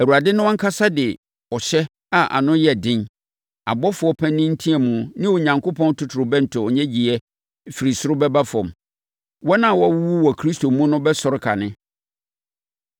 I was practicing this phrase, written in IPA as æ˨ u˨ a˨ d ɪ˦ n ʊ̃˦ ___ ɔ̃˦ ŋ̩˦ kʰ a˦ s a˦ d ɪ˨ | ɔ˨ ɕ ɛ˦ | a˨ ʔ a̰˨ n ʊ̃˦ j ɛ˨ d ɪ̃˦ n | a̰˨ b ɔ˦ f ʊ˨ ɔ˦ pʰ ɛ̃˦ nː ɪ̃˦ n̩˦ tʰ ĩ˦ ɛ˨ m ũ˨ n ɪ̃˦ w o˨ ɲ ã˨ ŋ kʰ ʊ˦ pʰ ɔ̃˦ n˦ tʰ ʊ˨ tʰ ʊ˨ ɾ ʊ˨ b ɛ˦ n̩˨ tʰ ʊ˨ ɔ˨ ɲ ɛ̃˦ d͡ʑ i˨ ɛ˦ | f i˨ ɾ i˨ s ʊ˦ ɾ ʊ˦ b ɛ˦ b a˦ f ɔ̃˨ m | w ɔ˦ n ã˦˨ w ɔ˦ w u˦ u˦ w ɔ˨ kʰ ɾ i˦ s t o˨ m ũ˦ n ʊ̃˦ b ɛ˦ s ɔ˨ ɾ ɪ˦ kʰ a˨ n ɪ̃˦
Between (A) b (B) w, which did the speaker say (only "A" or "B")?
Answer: B